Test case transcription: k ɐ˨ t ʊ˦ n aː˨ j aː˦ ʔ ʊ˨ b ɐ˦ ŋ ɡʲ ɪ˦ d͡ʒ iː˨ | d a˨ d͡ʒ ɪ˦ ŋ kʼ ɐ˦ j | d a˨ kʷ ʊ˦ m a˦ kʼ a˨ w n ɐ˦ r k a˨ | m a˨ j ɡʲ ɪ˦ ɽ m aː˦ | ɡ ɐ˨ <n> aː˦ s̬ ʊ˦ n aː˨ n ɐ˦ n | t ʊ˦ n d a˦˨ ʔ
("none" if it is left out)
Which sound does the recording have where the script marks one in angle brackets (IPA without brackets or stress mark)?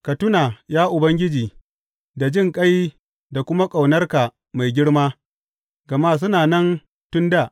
m